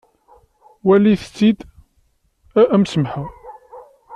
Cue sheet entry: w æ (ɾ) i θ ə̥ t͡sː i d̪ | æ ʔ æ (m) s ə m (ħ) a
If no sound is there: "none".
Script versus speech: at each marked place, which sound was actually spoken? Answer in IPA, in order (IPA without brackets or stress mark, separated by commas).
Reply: l, m, ħ